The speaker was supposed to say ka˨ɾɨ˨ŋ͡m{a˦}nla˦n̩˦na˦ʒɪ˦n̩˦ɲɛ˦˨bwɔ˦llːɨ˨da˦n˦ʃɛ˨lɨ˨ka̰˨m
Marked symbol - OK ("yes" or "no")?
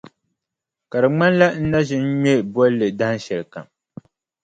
yes